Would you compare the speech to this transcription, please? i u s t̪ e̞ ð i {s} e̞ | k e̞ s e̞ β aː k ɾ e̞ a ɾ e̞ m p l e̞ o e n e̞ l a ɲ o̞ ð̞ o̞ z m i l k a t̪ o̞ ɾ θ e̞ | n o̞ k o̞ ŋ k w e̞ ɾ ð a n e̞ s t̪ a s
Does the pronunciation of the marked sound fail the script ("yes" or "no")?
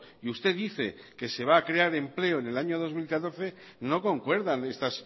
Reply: yes